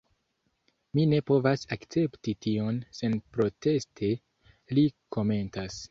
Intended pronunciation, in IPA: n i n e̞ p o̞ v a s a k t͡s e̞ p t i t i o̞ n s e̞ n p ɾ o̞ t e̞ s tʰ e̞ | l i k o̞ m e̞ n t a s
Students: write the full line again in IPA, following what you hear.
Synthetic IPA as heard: m i n e̞ p o̞ v a s a k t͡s e̞ p t i t i o̞ n s e̞ n p ɾ o̞ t e̞ s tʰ e̞ | l i k o̞ m e̞ n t a s